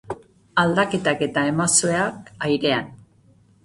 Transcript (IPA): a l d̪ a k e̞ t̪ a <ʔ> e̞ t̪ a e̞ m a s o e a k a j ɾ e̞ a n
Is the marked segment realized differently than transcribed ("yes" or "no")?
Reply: yes